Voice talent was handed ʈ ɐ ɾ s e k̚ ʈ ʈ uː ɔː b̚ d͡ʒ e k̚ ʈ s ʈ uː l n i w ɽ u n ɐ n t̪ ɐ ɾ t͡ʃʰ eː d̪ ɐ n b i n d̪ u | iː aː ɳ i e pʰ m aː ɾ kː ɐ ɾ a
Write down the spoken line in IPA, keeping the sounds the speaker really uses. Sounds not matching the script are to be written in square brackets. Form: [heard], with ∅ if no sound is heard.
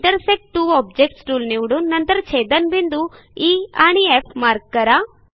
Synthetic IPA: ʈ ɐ ɾ s e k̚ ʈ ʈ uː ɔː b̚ d͡ʒ e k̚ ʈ s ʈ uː l n i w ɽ u n ɐ n t̪ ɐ ɾ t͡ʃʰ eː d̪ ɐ n b i n d̪ u | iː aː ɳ i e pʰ m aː ɾ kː ɐ ɾ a